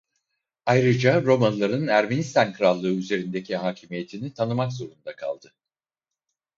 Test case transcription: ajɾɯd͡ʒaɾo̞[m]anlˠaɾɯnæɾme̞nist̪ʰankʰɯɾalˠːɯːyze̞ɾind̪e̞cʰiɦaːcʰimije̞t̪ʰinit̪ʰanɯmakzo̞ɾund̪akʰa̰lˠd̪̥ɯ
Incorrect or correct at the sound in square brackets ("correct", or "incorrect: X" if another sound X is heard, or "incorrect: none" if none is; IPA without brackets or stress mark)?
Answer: correct